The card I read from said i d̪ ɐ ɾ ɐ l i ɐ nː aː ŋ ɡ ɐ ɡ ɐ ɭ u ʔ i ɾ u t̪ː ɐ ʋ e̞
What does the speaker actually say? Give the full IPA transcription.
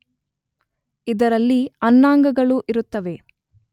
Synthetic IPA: i d̪ ɐ ɾ ɐ lː i ɐ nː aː ŋ ɡ ɐ ɡ ɐ ɭ u ʔ i ɾ u t̪ː ɐ ʋ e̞